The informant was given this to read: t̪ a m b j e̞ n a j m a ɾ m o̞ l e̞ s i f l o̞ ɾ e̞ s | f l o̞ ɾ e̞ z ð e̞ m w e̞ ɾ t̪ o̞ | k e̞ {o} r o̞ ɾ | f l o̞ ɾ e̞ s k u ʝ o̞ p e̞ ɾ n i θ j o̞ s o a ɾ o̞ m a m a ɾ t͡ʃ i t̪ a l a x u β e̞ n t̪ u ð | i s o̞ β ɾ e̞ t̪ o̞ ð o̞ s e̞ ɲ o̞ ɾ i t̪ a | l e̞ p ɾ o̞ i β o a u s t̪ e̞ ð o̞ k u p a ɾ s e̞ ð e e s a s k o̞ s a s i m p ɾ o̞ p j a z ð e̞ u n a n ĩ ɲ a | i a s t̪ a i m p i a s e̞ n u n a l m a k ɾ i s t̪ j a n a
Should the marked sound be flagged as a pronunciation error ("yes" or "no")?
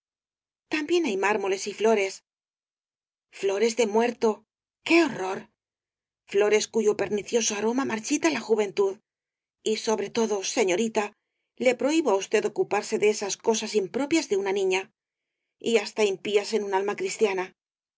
no